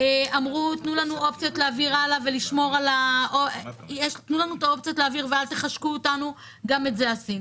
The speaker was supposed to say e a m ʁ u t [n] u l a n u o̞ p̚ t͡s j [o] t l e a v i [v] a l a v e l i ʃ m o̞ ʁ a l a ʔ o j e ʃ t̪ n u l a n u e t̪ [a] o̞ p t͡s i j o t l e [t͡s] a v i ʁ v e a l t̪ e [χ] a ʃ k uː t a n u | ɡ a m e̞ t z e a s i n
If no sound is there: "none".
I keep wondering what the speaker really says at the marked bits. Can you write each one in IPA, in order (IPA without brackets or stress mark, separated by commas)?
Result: n, o, ʁ, a, none, χ